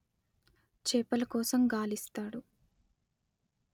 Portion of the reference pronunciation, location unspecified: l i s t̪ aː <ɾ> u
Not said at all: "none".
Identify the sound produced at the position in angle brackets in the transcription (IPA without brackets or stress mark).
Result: ɽ